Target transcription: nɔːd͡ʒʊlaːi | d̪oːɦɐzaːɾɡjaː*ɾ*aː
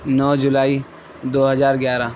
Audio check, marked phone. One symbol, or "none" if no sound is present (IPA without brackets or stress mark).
ɾ